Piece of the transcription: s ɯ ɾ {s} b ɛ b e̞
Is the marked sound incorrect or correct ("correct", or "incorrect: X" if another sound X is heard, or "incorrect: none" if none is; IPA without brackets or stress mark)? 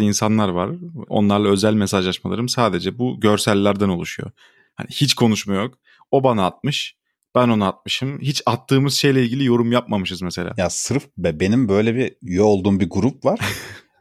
incorrect: f